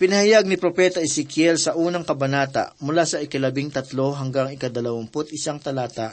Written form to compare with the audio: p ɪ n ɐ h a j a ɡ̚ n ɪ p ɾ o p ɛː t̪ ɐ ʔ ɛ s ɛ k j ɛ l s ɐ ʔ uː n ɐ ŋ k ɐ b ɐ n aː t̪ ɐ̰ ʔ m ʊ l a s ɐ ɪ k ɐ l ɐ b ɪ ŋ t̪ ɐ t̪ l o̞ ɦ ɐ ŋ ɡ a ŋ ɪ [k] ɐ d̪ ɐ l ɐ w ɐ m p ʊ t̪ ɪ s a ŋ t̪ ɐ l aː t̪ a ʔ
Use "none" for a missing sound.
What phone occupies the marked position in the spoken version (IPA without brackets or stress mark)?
k